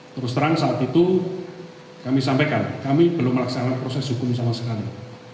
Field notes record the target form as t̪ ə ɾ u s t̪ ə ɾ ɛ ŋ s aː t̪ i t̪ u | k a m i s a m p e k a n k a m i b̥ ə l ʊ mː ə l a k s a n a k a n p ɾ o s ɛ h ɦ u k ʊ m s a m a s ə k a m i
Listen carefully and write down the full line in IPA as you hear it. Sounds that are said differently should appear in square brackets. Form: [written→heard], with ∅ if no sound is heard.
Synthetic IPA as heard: t̪ ə ɾ [u→ʊ] s t̪ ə ɾ [ɛ→a] ŋ s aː t̪ i t̪ u | k a m i s a m p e k a n k a m i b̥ ə l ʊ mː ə l a k s a n a k a n p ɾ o s ɛ [h→s] ɦ u k ʊ m s a m a s ə k a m i

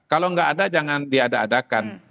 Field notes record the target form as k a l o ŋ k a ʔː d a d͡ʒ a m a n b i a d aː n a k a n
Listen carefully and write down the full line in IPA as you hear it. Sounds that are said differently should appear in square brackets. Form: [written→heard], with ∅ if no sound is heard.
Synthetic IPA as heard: k a l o ŋ [k→ɡ] a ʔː d a d͡ʒ a [m→ŋ] a n [b→d] i a d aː [n→d] a k a n

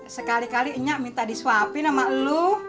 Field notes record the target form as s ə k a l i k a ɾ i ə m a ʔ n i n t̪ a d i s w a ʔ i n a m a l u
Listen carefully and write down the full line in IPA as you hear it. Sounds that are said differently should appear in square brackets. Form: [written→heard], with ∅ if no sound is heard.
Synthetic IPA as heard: s ə k a l i k a [ɾ→l] i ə [m→ɲ] a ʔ [n→m] i n t̪ a d i s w a [ʔ→p] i n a m a l u

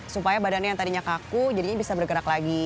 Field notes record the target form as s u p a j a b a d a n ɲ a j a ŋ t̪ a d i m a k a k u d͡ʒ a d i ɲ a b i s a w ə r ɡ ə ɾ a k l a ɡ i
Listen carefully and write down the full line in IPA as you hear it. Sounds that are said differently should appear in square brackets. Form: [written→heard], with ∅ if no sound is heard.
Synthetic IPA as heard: s u p a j a b a d a n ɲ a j a ŋ t̪ a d i [m→ɲ] a k a k u d͡ʒ a d i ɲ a b i s a [w→b] ə r ɡ ə ɾ a k l a ɡ i

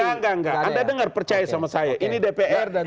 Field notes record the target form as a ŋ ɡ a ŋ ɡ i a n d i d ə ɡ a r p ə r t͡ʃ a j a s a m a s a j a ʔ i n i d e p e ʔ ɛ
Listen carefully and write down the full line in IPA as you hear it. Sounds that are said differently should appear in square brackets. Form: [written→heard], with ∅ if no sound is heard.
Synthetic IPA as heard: a ŋ ɡ a ŋ ɡ [i→a] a n d [i→a] d ə [ɡ→ŋ] a r p ə r t͡ʃ a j a s a m a s a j a ʔ i n i d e p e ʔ ɛ

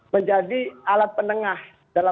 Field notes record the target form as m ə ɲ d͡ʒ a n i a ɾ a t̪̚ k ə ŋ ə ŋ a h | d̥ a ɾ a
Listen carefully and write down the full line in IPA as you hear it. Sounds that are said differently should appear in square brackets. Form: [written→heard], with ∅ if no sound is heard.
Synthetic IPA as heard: m ə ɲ d͡ʒ a [n→d] i a [ɾ→l] a t̪̚ [k→p] ə [ŋ→n] ə ŋ a h | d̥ a [ɾ→l] a

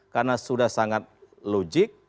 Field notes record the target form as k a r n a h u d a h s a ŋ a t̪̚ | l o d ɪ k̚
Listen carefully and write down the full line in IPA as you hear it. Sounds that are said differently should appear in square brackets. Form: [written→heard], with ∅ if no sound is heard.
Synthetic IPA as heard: k a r n a [h→s] u d a h s a ŋ a t̪̚ | l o [d→d͡ʒ] ɪ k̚

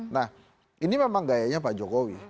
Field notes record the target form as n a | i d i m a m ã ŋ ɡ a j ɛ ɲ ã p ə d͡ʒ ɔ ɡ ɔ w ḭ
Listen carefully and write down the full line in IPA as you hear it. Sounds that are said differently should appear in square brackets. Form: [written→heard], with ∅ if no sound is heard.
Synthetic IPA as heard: n a | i [d→n] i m a m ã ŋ ɡ a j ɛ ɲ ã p [ə→a] d͡ʒ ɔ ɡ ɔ w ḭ

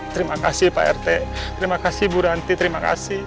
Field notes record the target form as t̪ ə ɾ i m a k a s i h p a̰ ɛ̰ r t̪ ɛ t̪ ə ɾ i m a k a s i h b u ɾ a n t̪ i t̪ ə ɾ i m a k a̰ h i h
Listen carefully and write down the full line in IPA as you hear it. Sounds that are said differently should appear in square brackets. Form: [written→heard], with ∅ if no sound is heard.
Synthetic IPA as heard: t̪ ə ɾ i m a k a s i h p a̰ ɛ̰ r t̪ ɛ t̪ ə ɾ i m a k a s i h b u ɾ a n t̪ i t̪ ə ɾ i m a k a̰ [h→s] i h

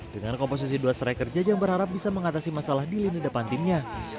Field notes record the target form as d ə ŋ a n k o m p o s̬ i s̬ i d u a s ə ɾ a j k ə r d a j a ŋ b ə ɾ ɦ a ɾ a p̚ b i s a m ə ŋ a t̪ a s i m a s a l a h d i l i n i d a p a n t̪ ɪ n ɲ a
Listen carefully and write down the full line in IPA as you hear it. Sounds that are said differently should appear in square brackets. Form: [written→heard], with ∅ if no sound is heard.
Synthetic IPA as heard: d ə ŋ a n k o m p o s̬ i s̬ i d u a s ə ɾ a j k ə r [d→d͡ʒ] a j a ŋ b ə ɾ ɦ a ɾ a p̚ b i s a m ə ŋ a t̪ a s i m a s a l a h d i l i n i d a p a n t̪ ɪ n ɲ a

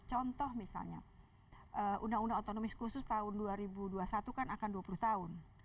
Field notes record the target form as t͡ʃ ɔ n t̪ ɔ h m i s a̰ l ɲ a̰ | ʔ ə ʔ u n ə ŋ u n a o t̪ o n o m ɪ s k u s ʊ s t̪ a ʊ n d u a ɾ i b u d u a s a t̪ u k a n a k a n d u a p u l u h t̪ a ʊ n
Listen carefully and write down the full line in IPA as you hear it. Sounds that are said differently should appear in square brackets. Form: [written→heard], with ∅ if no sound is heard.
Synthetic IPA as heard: t͡ʃ ɔ n t̪ ɔ h m i s a̰ l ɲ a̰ | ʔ ə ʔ u n [ə→a] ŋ u n a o t̪ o n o m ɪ s k u s ʊ s t̪ a ʊ n d u a ɾ i b u d u a s a t̪ u k a n a k a n d u a p u l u h t̪ a ʊ n

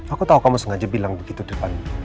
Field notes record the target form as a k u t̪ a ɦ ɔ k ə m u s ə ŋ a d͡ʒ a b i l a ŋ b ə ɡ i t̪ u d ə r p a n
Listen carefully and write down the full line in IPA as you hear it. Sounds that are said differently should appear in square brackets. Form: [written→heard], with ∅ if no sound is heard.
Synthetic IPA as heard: a k u t̪ a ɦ [ɔ→u] k [ə→a] m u s ə ŋ a d͡ʒ a b i l a ŋ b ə ɡ i t̪ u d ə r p a n

